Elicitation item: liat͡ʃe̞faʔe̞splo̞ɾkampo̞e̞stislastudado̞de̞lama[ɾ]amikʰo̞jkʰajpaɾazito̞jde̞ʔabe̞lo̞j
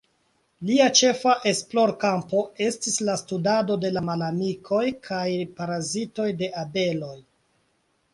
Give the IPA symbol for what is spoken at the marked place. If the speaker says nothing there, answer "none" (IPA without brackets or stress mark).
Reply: l